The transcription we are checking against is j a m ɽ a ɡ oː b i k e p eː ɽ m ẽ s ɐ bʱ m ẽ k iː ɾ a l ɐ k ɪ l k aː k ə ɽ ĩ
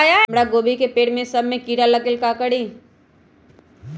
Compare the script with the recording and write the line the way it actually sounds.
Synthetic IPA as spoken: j a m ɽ a ɡ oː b i k e p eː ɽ m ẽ s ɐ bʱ m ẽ k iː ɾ a l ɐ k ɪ l k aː k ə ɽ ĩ